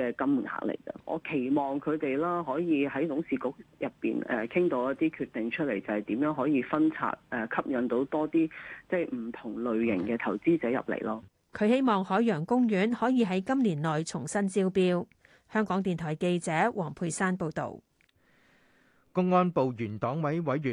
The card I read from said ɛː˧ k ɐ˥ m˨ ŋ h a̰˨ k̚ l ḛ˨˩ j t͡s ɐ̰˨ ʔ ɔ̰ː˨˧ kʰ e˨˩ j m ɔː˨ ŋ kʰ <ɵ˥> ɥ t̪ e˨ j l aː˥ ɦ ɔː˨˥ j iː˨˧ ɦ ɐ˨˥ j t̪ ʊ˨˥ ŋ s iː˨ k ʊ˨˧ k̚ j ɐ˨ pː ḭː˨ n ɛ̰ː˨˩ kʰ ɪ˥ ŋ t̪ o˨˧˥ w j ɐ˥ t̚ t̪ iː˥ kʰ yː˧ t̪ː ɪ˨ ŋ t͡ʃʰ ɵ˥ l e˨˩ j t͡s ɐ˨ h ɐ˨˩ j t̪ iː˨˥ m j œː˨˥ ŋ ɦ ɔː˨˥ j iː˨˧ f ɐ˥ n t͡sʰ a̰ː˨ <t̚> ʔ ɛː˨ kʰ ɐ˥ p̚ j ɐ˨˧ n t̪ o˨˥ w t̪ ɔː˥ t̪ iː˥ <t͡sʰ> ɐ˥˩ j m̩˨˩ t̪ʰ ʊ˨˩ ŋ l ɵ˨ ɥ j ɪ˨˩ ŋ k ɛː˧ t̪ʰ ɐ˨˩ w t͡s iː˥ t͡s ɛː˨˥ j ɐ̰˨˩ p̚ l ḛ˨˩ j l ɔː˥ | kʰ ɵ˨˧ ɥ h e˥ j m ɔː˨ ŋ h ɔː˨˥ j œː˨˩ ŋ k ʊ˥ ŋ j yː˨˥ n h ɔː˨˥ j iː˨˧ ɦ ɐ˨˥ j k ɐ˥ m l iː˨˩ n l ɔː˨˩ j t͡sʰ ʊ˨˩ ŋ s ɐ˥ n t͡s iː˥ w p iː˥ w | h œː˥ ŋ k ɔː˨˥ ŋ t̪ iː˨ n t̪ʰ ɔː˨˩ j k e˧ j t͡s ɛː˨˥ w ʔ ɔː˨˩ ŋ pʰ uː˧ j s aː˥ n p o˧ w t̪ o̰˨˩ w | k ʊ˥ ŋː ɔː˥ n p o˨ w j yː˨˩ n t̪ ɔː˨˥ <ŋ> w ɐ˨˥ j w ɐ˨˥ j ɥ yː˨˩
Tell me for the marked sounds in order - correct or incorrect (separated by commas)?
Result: incorrect, correct, incorrect, correct